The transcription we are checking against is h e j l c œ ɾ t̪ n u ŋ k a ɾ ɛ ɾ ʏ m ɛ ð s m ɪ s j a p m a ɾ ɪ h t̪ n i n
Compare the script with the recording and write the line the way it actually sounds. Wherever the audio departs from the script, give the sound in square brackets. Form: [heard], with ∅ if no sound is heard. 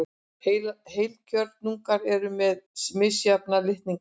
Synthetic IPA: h e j l c œ ɾ t̪ n u ŋ k a ɾ ɛ ɾ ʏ m ɛ ð s m ɪ s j a p [n] a [l] ɪ h t̪ n i [ŋ]